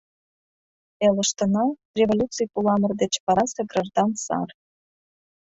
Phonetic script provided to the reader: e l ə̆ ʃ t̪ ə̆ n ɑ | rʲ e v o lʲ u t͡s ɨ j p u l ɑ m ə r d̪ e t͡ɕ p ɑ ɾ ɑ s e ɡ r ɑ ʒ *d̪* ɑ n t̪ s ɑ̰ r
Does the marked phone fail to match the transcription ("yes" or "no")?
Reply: no